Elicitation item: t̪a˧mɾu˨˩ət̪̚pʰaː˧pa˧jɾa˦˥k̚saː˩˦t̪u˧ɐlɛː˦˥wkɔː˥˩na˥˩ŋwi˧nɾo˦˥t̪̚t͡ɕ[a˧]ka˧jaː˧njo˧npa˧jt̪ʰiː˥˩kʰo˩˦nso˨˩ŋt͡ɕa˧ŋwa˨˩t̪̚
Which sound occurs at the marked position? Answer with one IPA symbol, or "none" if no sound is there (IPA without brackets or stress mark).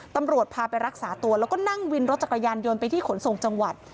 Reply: a˨˩